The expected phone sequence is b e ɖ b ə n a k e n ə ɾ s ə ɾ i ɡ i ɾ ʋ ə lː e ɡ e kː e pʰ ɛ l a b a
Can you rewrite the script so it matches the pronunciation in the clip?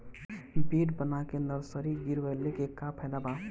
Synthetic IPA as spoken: b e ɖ b ə n a k e n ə ɾ s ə ɾ i ɡ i ɾ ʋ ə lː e k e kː a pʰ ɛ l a b a